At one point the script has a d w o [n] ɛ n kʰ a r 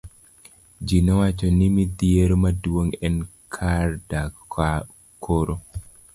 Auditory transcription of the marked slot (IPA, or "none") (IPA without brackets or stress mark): ŋ